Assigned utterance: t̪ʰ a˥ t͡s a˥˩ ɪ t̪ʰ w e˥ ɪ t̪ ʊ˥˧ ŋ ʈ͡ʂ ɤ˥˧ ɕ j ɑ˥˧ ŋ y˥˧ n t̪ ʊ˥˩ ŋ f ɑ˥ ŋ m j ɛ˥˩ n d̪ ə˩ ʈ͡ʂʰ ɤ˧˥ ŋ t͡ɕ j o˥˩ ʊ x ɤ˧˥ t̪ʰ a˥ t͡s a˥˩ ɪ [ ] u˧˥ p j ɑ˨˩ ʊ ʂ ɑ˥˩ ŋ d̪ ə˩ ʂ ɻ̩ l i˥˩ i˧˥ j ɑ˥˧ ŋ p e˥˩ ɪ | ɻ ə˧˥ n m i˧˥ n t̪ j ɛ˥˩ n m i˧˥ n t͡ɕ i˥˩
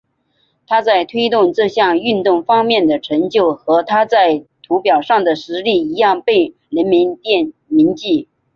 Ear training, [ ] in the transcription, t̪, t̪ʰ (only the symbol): t̪ʰ